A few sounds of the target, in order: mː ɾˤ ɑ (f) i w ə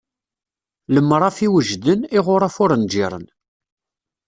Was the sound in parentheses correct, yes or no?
yes